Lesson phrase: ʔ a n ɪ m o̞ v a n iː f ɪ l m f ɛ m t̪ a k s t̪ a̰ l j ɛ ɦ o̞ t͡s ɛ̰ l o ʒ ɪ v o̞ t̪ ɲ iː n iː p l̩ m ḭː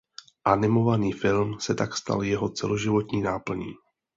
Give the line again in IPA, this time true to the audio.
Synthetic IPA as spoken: ʔ a n ɪ m o̞ v a n iː f ɪ l m s ɛ t̪ a k s t̪ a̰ l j ɛ ɦ o̞ t͡s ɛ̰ l o ʒ ɪ v o̞ t̪ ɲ iː n aː p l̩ ɲ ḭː